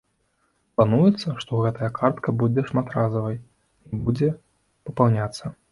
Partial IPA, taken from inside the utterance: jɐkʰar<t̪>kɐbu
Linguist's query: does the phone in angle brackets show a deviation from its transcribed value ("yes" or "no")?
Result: no